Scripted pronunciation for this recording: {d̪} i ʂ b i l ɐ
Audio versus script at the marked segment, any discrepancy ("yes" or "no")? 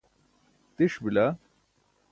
yes